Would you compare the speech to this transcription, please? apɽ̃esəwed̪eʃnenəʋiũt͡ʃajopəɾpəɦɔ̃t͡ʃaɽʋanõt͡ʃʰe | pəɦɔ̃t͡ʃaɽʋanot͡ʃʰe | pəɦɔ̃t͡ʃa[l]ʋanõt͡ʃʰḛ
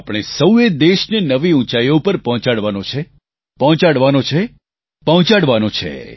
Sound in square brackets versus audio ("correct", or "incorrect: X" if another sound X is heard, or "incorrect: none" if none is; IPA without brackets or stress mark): incorrect: ɽ